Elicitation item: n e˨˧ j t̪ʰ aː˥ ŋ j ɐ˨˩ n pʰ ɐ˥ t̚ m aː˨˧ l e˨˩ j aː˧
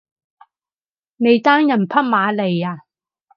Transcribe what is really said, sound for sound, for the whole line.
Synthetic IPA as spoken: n e˨˧ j t̪ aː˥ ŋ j ɐ˨˩ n pʰ ɐ˥ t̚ m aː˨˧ l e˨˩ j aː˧